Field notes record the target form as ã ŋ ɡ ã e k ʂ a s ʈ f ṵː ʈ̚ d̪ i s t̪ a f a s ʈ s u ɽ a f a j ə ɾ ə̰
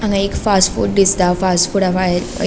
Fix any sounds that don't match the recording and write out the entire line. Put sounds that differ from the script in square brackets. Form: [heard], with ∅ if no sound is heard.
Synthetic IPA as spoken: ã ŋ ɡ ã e k [f] a s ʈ f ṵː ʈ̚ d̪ i s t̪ a f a s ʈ [f] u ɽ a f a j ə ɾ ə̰